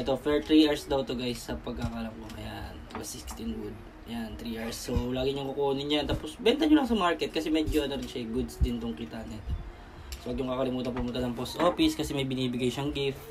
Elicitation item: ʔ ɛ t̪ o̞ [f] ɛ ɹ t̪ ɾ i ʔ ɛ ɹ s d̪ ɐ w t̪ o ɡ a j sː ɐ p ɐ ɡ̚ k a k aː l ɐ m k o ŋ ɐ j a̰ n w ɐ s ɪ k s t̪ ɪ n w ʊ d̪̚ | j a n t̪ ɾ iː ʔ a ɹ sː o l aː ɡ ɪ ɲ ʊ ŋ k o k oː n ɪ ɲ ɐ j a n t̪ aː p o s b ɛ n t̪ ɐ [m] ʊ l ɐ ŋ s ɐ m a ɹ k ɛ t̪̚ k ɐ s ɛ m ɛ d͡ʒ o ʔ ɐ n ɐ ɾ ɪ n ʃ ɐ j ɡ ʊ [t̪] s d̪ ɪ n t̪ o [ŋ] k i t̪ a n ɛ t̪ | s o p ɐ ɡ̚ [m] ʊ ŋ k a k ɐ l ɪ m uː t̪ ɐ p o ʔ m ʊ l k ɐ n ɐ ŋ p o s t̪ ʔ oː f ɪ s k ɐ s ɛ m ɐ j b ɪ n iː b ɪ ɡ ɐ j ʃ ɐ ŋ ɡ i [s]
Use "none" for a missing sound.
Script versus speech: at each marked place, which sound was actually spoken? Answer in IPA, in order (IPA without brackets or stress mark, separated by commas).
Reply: f, ɲ, d̪, ŋ, ɲ, f